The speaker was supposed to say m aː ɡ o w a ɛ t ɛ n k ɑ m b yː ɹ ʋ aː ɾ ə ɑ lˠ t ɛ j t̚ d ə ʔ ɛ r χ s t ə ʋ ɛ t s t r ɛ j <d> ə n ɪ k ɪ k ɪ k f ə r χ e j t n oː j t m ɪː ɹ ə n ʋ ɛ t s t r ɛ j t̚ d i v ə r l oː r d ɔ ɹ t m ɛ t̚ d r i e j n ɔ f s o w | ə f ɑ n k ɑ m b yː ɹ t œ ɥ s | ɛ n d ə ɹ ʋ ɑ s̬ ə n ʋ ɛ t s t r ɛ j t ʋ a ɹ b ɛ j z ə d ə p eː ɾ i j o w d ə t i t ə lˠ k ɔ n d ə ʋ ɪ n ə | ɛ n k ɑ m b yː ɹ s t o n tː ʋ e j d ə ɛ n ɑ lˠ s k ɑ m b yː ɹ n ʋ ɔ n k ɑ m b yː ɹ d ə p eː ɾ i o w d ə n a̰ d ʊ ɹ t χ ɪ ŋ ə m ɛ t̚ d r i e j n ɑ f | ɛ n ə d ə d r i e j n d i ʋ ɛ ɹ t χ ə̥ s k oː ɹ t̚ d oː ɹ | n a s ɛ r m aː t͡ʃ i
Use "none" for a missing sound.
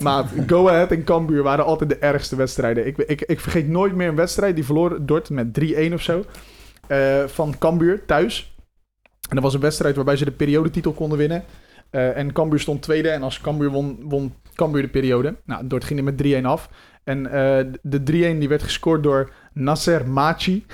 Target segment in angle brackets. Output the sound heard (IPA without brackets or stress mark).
d